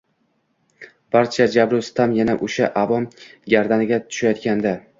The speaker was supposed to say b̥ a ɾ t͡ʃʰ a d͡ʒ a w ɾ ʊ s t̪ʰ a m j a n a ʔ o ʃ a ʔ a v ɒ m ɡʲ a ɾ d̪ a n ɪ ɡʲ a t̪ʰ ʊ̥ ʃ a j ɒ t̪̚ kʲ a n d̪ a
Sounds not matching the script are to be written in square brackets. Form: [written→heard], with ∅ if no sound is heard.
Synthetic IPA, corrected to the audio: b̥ a ɾ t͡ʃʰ a d͡ʒ a [w→b] ɾ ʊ s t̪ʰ a m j a n a ʔ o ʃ a ʔ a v ɒ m ɡʲ a ɾ d̪ a n ɪ ɡʲ a t̪ʰ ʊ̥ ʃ a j ɒ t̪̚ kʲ a n d̪ a